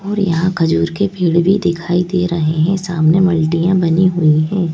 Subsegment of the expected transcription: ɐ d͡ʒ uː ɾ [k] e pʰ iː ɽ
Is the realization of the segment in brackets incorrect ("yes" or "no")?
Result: no